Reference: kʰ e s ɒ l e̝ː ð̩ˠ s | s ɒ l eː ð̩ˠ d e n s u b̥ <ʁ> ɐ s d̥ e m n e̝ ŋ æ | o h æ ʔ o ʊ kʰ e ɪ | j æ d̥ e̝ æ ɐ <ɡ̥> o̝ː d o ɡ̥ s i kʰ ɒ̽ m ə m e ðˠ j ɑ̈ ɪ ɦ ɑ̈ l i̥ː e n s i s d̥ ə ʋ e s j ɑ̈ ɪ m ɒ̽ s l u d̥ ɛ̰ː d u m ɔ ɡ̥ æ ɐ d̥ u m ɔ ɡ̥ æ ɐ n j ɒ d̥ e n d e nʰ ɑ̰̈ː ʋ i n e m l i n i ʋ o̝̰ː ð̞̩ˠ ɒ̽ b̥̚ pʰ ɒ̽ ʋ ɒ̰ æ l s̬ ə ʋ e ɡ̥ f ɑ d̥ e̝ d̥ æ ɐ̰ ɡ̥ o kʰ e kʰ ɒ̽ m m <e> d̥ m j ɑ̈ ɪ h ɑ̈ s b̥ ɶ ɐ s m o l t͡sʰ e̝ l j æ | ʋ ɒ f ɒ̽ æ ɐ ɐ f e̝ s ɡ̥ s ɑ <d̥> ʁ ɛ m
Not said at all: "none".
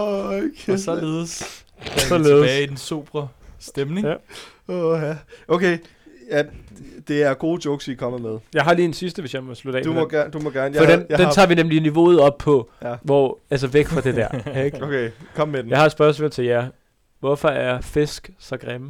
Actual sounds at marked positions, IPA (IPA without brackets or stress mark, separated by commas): ʁ, ɡ̥, e, ɡ̥